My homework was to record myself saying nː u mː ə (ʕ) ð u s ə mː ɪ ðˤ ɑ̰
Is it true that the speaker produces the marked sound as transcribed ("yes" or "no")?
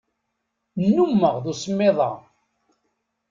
no